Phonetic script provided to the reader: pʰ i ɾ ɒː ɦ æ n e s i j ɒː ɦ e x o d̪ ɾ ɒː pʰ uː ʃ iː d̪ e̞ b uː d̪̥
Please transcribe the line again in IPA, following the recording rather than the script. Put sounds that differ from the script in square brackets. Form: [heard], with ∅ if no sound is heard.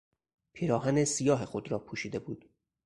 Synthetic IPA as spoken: pʰ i ɾ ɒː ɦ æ n e s i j ɒː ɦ e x o d̪ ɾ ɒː pʰ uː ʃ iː d̪ e̞ b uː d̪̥